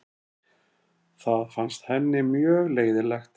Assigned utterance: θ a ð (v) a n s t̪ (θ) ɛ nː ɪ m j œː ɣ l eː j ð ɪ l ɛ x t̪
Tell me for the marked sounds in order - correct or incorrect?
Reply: incorrect, incorrect

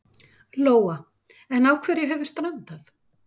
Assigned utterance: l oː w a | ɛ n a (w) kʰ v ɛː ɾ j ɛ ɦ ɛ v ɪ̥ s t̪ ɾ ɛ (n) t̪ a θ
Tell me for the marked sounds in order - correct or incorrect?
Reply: correct, correct

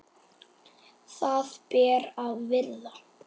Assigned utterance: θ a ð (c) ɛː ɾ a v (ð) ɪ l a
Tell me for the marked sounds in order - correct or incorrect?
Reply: incorrect, incorrect

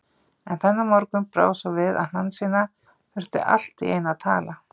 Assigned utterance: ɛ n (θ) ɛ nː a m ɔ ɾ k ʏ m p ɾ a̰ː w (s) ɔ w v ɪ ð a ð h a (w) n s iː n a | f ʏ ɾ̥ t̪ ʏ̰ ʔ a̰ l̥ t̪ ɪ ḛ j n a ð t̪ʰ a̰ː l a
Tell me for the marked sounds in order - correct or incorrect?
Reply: correct, correct, incorrect

